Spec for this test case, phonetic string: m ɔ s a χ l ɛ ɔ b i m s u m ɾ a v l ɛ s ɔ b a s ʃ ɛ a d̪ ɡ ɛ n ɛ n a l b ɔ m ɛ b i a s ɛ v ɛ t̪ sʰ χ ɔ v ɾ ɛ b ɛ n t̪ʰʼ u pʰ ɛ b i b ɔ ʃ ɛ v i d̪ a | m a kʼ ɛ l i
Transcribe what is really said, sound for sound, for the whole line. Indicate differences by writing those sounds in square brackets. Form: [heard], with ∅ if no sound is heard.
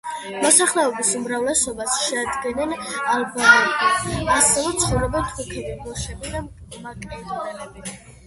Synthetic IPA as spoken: m ɔ s a χ l ɛ ɔ b i [∅] s u m ɾ a v l ɛ s ɔ b a s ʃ ɛ a d̪ ɡ ɛ n ɛ n a l b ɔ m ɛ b i a s ɛ v ɛ t̪ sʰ χ ɔ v ɾ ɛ b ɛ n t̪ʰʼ u [kʰ] ɛ b i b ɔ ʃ ɛ [b] i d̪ a | m a kʼ ɛ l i